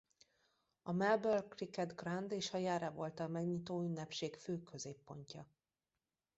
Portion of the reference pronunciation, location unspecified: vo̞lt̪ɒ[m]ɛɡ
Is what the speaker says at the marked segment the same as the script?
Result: yes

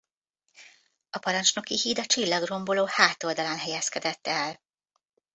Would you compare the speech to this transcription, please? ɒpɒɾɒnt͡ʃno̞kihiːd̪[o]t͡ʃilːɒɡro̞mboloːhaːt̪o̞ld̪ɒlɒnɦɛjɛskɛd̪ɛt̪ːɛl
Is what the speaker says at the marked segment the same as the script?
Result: no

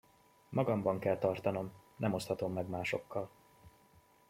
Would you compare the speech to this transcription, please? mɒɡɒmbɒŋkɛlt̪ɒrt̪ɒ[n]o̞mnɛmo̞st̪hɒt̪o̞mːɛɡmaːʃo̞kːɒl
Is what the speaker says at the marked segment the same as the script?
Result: yes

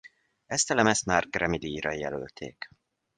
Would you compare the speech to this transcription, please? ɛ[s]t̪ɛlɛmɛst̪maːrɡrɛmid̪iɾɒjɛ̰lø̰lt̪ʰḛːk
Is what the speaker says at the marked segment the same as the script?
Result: yes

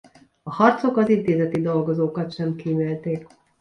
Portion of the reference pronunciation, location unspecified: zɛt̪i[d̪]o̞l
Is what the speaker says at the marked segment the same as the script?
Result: yes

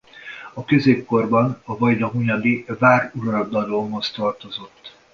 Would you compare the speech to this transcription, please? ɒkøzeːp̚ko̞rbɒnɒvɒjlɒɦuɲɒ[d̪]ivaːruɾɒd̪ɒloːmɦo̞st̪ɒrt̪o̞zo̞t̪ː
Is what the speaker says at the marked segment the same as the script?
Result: yes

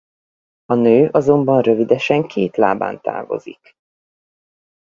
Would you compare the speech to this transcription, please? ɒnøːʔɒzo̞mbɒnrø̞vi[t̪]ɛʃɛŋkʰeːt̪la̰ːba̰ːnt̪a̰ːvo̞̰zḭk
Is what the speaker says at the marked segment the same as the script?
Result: no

